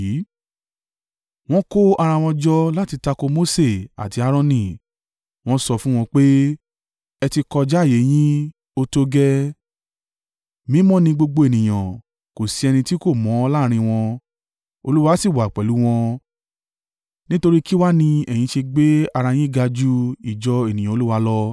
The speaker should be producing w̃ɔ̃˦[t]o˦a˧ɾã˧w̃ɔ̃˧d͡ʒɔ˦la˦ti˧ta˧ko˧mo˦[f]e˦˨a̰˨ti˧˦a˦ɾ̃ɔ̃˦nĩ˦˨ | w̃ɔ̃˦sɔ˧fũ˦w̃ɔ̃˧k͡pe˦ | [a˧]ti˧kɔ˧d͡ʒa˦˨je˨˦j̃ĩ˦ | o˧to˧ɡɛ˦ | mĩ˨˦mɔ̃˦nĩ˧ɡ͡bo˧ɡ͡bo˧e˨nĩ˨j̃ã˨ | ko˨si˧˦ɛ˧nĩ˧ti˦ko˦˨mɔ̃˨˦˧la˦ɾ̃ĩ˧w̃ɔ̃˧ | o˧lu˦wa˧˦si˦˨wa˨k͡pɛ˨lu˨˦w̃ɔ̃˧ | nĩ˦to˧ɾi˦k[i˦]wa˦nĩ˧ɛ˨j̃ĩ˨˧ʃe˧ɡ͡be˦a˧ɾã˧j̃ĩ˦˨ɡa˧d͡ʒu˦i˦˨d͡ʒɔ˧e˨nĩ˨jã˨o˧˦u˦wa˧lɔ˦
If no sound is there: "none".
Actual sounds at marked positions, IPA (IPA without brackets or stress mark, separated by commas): k, s, ɛ˧, i˦